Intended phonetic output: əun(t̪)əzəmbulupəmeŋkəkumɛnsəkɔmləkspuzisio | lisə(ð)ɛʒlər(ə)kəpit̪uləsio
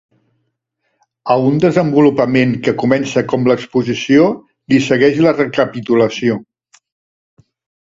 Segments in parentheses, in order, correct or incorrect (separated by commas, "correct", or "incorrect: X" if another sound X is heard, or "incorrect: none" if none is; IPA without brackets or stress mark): incorrect: d̪, incorrect: ɣ, correct